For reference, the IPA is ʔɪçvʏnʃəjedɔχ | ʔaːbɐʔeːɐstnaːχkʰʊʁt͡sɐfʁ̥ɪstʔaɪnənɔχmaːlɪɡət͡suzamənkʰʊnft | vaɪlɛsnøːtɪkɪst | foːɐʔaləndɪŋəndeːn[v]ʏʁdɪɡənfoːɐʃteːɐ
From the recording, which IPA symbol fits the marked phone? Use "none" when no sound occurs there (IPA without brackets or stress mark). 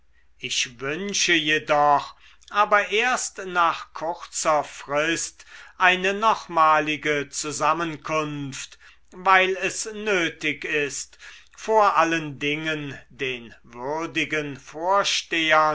v